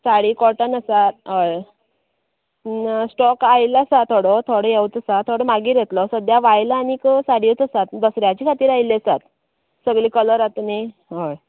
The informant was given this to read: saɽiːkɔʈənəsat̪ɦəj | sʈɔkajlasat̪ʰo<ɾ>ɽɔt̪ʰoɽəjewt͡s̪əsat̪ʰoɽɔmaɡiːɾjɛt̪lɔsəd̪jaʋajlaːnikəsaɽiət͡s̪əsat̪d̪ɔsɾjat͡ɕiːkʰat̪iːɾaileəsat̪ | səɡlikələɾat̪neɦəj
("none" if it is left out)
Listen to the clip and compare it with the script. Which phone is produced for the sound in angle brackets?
none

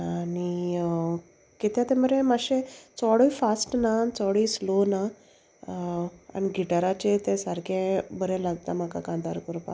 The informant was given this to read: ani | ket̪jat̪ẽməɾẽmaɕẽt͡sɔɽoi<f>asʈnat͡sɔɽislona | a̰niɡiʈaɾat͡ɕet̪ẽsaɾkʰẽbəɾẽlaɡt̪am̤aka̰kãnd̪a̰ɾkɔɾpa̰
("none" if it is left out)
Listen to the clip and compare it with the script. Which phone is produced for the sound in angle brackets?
f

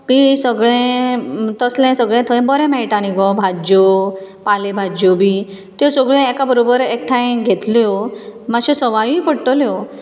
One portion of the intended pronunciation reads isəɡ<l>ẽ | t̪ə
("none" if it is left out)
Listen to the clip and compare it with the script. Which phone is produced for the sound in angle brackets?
ɭ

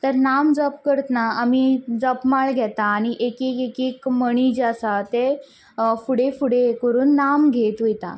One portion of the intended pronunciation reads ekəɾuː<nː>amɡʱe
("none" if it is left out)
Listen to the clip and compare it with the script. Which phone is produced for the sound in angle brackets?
nː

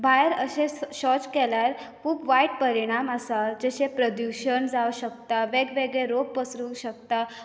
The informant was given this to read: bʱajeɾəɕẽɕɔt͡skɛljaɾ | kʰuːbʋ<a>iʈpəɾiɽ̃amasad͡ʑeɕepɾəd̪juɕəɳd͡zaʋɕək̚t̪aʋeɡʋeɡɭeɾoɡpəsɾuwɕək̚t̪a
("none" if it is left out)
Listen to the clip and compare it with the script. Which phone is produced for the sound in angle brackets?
a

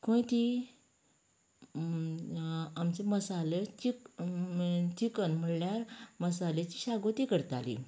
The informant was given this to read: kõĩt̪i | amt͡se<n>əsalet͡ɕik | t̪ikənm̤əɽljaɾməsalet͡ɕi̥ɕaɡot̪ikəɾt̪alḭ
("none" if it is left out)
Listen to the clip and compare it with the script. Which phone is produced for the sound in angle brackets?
m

